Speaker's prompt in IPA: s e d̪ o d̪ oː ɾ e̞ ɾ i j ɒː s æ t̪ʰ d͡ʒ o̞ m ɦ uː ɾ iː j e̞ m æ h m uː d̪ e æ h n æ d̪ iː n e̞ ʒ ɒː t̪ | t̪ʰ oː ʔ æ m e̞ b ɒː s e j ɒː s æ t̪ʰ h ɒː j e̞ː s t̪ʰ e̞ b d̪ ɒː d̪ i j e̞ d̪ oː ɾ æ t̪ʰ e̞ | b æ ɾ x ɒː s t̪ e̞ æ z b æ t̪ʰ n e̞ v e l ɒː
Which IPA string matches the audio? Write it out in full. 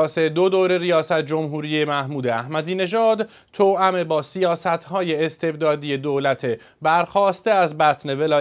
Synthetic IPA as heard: s e d̪ o d̪ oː ɾ e̞ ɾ i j ɒː s æ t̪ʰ d͡ʒ o̞ m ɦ uː ɾ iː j e̞ m æ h m uː d̪ e æ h m æ d̪ iː n e̞ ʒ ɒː d̪ | t̪ʰ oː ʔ æ m e̞ b ɒː s i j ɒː s æ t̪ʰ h ɒː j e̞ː s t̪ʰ e̞ b d̪ ɒː d̪ i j e̞ d̪ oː l æ t̪ʰ e̞ | b æ ɾ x ɒː s t̪ e̞ æ z b æ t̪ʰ n e̞ v e l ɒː